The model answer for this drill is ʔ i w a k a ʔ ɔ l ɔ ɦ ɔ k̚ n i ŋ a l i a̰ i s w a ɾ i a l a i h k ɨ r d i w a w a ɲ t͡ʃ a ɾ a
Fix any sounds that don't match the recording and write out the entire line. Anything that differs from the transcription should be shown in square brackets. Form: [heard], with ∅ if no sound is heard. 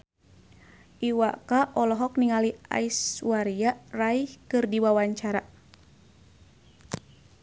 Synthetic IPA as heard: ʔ i w a k a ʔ ɔ l ɔ ɦ ɔ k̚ n i ŋ a l i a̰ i s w a ɾ i a [r] a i h k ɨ r d i w a w a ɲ t͡ʃ a ɾ a